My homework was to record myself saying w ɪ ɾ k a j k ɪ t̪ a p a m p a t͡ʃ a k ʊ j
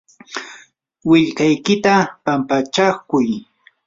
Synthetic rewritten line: w ɪ ʎ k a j k ɪ t̪ a p a m p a t͡ʃ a k ʊ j